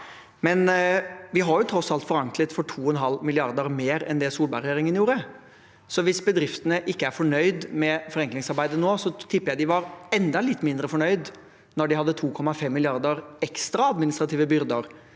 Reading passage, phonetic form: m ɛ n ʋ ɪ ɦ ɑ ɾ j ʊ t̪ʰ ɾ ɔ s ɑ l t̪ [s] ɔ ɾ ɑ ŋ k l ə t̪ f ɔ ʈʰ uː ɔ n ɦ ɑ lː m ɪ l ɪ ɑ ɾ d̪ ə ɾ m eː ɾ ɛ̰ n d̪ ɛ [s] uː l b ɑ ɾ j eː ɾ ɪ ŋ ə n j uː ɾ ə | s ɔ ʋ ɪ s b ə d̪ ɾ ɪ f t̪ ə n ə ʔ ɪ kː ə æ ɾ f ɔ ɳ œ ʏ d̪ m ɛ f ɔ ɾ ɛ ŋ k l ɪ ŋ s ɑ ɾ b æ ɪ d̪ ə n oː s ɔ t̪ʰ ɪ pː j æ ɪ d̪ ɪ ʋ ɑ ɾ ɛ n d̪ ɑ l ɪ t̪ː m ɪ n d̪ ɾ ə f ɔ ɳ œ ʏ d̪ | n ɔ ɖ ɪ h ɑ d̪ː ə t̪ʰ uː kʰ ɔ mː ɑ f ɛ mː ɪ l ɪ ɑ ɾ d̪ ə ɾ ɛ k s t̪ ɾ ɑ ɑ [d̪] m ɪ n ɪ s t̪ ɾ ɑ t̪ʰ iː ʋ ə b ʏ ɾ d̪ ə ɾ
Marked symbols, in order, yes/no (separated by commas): no, yes, yes